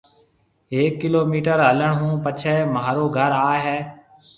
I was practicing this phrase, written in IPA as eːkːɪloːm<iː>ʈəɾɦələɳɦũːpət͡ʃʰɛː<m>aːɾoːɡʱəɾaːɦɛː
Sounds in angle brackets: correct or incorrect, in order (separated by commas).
correct, correct